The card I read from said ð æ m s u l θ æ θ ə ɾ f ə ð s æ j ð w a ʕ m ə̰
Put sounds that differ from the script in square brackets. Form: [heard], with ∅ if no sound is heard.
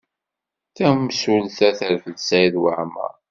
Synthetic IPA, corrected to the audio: [θ] æ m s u l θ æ θ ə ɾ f ə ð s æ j ð w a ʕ m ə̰